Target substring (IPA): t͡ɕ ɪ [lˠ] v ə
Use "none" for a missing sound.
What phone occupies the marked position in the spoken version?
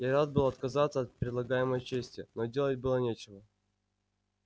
none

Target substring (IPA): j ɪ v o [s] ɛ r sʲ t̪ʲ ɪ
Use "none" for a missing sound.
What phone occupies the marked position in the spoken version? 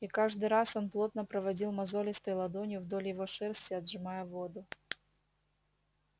ʂ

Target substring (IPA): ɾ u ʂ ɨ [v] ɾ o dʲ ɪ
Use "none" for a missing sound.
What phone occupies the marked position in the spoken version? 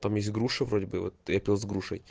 v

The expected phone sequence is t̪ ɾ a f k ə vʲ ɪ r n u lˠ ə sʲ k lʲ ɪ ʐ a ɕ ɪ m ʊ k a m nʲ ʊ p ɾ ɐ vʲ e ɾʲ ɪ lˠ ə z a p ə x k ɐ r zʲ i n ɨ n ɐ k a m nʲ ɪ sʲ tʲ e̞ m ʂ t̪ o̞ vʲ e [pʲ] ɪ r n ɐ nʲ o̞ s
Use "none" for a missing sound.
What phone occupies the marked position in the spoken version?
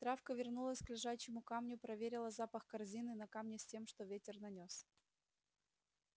tʲ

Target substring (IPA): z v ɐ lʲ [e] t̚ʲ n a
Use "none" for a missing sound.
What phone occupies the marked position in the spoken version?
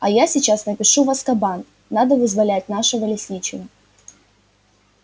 æ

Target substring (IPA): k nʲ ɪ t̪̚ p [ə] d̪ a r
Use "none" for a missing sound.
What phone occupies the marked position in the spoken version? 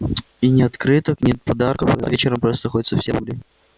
ɐ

